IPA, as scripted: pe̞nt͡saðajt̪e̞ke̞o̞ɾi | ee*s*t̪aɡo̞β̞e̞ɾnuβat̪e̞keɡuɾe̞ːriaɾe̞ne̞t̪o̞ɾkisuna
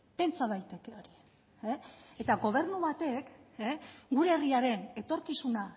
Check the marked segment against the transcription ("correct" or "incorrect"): incorrect